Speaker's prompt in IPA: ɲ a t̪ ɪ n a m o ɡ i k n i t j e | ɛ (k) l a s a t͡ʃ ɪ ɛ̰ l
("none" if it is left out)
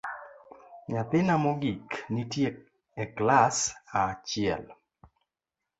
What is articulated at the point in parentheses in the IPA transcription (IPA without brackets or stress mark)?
k